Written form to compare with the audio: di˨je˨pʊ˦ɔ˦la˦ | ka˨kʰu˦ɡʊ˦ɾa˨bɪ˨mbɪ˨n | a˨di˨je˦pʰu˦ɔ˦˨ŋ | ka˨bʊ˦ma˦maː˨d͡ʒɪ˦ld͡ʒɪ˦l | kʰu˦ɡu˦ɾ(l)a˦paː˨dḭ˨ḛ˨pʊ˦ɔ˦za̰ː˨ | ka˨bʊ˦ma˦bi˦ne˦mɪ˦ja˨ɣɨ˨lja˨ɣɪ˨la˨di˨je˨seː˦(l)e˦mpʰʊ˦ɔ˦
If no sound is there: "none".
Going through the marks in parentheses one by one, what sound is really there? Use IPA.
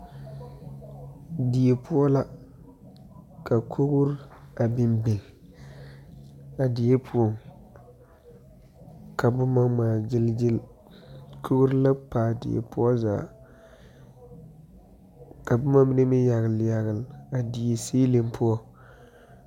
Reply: l, l

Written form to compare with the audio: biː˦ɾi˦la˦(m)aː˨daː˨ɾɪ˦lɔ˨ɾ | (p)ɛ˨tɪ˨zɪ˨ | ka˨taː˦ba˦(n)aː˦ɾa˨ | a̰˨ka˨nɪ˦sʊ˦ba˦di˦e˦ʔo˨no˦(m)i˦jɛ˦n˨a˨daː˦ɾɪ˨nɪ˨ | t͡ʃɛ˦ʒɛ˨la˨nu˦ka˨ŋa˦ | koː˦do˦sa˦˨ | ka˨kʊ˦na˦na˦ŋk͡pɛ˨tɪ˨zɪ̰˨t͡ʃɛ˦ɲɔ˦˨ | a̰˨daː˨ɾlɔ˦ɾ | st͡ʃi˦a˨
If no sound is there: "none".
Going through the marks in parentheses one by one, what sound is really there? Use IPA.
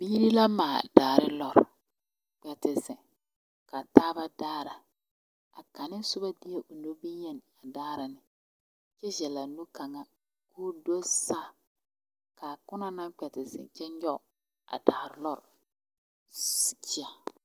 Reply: m, k͡p, d, b

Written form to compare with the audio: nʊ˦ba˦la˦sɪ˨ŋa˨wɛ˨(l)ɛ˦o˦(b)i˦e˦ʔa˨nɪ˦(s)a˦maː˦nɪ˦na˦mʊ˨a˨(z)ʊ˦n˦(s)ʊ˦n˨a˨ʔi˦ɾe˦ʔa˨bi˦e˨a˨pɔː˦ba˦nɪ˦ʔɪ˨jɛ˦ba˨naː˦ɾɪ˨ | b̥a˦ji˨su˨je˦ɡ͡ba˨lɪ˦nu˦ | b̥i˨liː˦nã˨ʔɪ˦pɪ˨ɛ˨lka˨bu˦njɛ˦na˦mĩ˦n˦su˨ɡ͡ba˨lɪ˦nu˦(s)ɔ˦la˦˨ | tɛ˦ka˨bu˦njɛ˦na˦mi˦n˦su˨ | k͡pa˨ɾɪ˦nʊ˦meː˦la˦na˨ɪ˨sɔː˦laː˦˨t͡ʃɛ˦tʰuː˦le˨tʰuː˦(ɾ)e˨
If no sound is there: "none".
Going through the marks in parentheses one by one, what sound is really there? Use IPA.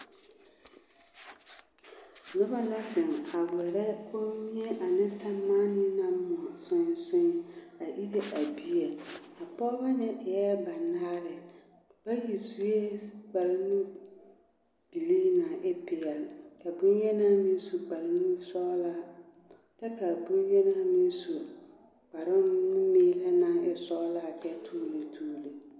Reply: ɾ, m, s, s, s, s, l

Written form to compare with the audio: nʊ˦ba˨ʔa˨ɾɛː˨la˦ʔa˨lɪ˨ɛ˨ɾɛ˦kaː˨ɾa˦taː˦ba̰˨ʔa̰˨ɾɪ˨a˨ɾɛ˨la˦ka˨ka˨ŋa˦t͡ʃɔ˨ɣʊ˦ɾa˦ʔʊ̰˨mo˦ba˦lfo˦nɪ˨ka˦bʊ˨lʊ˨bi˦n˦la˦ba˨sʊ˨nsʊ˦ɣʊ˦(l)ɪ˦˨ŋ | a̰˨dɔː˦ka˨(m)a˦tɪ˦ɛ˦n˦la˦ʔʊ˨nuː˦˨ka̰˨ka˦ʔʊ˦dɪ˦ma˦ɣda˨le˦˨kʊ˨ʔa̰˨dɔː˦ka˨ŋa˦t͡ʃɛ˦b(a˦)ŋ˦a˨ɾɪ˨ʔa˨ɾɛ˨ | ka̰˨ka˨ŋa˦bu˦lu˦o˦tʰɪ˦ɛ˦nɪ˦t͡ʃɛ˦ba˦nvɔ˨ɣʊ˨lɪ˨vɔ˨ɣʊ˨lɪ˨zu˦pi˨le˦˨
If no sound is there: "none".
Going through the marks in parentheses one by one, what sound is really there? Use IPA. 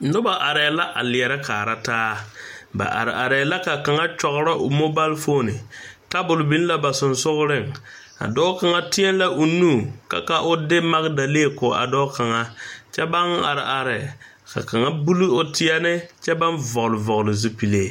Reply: ɾ, ŋ, a˦

